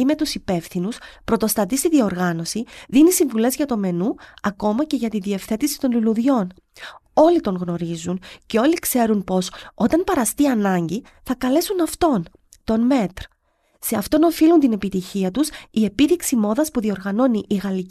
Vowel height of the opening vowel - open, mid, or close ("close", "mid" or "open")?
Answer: close